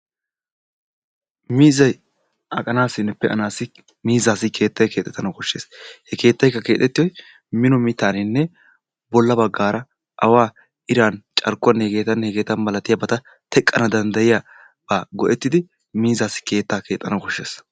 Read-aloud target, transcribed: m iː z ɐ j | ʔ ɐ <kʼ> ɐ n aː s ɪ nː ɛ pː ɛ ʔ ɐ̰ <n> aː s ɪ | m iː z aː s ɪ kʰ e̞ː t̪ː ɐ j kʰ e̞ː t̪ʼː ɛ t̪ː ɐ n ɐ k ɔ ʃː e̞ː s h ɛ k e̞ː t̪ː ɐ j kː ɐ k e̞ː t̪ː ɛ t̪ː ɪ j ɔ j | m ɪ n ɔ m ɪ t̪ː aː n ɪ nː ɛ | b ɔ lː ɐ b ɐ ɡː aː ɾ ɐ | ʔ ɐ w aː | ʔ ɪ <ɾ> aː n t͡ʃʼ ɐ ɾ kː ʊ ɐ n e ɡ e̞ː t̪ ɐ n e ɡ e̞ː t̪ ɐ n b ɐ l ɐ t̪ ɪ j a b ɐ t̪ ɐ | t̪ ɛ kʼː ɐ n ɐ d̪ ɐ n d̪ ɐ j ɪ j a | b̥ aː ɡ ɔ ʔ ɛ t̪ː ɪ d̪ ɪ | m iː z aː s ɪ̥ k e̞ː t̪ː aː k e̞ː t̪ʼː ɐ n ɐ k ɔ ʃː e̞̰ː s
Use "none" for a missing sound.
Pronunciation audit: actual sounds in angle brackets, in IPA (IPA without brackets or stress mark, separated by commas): kʼ, n, ɾ